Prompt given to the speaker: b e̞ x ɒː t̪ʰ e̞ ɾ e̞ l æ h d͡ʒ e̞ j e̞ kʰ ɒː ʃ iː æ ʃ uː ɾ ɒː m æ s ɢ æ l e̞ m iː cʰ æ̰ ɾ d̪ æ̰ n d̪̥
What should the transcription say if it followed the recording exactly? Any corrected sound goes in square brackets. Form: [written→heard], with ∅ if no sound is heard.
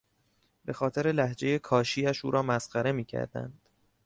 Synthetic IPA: b e̞ x ɒː t̪ʰ e̞ ɾ e̞ l æ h d͡ʒ e̞ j e̞ kʰ ɒː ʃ iː æ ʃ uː ɾ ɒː m æ s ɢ æ [l→ɾ] e̞ m iː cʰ æ̰ ɾ d̪ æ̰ n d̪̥